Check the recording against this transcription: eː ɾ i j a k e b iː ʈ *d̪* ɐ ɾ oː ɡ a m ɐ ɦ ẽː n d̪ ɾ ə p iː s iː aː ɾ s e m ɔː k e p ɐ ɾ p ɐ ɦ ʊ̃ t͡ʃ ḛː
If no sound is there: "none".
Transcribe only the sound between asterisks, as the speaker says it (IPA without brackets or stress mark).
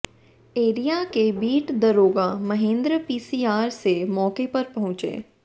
d̪